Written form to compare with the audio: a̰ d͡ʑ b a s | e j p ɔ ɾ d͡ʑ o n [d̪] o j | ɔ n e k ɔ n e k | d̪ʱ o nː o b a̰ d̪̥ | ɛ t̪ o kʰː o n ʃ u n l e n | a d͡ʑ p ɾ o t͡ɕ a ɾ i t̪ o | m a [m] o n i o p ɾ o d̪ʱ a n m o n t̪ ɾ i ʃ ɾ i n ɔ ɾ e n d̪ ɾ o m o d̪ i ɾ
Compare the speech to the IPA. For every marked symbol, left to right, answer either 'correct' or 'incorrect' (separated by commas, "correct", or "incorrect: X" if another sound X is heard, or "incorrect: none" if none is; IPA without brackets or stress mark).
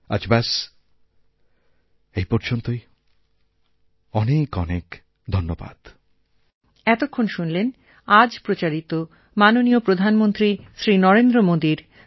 incorrect: t̪, incorrect: n